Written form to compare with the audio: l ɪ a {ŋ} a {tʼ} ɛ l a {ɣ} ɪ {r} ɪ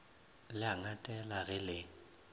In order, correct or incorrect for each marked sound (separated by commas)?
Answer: correct, correct, correct, incorrect